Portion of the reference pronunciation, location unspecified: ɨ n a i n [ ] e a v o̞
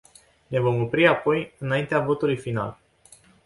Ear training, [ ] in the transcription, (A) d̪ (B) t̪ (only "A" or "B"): B